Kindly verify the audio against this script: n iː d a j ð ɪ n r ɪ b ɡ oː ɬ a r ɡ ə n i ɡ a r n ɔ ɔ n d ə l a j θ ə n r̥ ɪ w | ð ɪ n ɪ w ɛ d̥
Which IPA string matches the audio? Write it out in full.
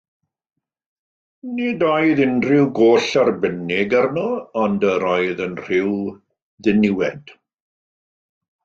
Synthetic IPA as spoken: n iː d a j ð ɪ n r ɪ w ɡ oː ɬ a r b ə n ɪ ɡ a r n ɔ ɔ n d ə ɾ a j ð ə n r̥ ɪ w | ð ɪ n ɪ w ɛ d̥

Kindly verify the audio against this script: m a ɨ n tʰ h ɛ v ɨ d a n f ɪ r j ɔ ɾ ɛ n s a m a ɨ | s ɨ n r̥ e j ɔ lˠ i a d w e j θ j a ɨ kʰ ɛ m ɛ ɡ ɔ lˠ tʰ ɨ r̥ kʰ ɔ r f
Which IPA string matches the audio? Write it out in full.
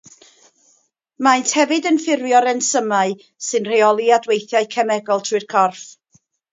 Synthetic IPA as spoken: m a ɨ n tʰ h ɛ v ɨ d ə n f ɪ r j ɔ ɾ ɛ n s ə m a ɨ | s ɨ n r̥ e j ɔ lˠ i a d w e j θ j a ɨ kʰ ɛ m ɛ ɡ ɔ lˠ tʰ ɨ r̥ kʰ ɔ r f

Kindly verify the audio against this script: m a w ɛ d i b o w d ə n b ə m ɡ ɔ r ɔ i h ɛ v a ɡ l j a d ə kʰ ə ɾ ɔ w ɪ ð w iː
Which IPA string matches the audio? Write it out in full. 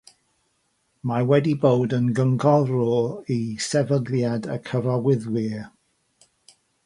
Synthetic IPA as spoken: m a w ɛ d i b o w d ə n ɡ ə ŋ ɡ ɔ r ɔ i s ɛ v ə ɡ l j a d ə kʰ ə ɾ ɔ w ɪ ð w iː

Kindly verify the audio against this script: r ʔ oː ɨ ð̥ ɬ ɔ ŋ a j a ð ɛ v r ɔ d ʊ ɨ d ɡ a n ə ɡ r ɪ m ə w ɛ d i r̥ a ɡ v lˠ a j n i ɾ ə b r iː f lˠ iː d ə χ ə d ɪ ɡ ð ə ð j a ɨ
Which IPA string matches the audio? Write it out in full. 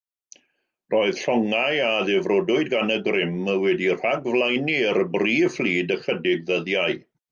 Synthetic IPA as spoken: r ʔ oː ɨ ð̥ ɬ ɔ ŋ a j a ð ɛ v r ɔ d ʊ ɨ d ɡ a n ə ɡ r ɪ m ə w ɛ d i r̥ a ɡ v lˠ a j n i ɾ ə b r iː f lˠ iː d ə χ ə d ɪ ɡ ð ə ð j a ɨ

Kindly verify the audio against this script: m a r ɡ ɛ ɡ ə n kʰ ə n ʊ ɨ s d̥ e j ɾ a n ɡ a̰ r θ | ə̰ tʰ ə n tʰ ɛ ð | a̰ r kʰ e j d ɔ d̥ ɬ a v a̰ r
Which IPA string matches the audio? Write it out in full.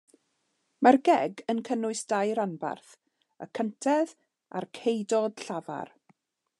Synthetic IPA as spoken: m a r ɡ ɛ ɡ ə n kʰ ə n ʊ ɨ s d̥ a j ɾ a n b a̰ r θ | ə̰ kʰ ə n tʰ ɛ ð | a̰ r kʰ e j d ɔ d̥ ɬ a v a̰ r

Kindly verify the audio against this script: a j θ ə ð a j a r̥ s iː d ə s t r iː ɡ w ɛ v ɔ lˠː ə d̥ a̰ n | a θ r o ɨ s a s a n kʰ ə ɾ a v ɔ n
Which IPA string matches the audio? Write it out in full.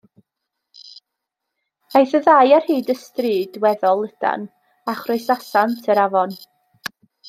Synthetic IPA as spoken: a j θ ə ð a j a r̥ h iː d ə s t r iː d w ɛ ð ɔ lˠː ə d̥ a̰ n | a χ r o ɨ s a s a n tʰ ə ɾ a v ɔ n

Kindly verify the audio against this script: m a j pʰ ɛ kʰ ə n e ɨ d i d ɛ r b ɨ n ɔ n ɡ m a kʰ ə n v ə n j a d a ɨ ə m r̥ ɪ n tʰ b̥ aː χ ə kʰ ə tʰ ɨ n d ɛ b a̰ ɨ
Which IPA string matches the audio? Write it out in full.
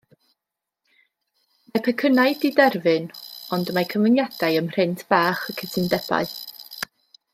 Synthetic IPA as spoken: m a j pʰ ɛ kʰ ə n a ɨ d i d ɛ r v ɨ n ɔ n d m a kʰ ə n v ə n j a d a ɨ ə m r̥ ɪ n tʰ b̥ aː χ ə kʰ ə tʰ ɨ n d ɛ b a̰ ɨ

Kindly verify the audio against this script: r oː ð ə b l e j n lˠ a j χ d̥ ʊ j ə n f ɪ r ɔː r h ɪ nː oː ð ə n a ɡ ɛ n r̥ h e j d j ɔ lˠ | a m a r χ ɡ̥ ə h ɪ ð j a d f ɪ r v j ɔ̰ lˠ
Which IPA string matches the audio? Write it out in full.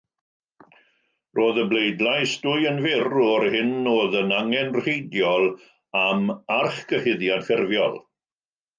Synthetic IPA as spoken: r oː ð ə b l e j d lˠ a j s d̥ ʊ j ə n v ɪ r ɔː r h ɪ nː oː ð ə n a ŋ ɛ n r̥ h e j d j ɔ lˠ | a m a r χ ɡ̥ ə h ɪ ð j a d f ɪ r v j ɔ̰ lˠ

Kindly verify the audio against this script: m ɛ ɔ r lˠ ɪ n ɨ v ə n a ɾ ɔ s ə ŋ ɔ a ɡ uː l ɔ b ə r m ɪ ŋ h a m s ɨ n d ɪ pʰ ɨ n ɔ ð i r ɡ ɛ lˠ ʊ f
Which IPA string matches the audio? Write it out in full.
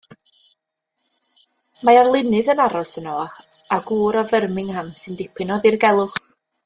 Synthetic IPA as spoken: m a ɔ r lˠ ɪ n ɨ ð ə n a ɾ ɔ s ə n ɔ a ɡ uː ɾ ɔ v ə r m ɪ ŋ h a m s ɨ n d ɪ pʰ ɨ n ɔ ð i r ɡ ɛ lˠ ʊ χ

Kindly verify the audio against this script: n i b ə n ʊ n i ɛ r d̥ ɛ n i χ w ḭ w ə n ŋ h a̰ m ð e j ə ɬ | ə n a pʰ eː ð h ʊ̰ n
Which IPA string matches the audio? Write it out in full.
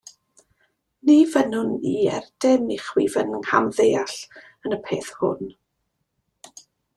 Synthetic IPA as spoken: n i v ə n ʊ n i ɛ r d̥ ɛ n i χ w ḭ v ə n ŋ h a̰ m ð e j a ɬ | ə n ə pʰ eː θ h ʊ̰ n

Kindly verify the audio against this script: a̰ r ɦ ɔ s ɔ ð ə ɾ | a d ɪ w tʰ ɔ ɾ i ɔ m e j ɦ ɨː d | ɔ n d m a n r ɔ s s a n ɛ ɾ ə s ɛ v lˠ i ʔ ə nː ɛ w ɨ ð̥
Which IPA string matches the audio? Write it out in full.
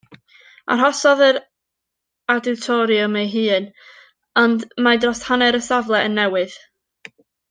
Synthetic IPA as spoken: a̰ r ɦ ɔ s ɔ ð ə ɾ | a d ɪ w tʰ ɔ ɾ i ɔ m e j ɦ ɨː n | ɔ n d m a d r ɔ s h a n ɛ ɾ ə s a v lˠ ɛ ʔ ə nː ɛ w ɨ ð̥

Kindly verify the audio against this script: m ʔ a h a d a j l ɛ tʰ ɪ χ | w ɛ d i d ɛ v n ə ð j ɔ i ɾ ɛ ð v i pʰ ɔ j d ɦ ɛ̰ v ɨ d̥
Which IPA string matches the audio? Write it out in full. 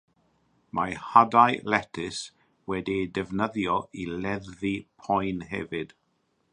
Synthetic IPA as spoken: m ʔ a h a d a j l ɛ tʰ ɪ s | w ɛ d i d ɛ v n ə ð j ɔ i l ɛ ð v i pʰ ɔ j n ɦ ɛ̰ v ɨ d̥

